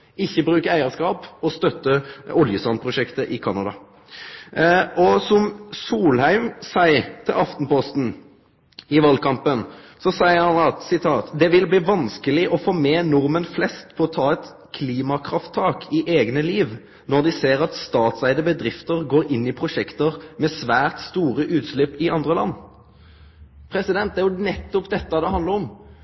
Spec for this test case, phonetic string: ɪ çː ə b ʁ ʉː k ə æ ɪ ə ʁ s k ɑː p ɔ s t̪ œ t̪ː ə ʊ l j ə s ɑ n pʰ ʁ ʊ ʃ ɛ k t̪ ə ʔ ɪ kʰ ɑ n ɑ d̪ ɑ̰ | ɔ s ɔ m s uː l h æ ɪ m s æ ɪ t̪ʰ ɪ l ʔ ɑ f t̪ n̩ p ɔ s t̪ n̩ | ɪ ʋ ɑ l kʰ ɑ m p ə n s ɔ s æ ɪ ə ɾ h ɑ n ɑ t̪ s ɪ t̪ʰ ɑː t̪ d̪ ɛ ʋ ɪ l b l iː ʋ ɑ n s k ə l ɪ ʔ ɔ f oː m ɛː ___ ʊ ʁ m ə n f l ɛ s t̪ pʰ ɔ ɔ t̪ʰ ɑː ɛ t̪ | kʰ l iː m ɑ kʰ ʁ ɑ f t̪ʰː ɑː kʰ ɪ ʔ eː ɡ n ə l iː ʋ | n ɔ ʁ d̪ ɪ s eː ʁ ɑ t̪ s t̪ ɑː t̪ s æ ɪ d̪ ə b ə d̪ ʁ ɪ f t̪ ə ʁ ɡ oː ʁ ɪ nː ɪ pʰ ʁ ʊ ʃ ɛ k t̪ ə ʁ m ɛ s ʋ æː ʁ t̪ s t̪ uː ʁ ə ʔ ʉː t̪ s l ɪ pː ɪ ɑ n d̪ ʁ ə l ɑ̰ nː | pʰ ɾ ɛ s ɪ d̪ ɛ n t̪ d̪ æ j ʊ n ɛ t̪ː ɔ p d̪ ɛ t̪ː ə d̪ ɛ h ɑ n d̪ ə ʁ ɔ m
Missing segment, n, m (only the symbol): n